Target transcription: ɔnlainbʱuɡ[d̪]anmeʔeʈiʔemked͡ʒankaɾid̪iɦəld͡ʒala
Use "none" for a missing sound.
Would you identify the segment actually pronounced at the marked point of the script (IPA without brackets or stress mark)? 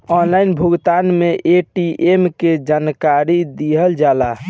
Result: t̪